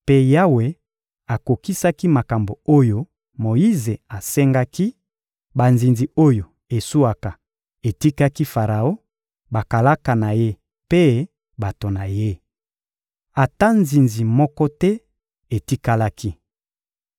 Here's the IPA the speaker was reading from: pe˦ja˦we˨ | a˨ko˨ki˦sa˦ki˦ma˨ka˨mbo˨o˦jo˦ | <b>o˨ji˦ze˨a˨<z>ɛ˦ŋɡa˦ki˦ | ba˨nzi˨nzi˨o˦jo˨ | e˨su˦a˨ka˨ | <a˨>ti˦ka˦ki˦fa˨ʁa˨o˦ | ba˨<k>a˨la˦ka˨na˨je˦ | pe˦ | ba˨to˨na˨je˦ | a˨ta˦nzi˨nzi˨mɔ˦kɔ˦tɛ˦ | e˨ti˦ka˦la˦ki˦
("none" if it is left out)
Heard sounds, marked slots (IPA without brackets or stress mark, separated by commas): m, s, e˨, k